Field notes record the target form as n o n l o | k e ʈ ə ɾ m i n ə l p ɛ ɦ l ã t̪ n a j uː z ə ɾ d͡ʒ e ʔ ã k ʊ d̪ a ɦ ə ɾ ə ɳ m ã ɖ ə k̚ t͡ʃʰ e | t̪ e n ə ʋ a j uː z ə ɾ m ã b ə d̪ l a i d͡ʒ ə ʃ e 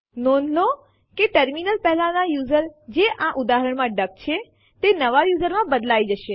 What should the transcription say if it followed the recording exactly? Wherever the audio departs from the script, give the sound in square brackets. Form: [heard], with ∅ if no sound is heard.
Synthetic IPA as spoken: n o n l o | k e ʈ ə ɾ m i n ə l p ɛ ɦ l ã [∅] n a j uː z ə ɾ d͡ʒ e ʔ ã [ʔ] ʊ d̪ a ɦ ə ɾ ə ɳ m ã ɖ ə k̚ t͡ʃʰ e | t̪ e n ə ʋ a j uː z ə ɾ m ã b ə d̪ l a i d͡ʒ ə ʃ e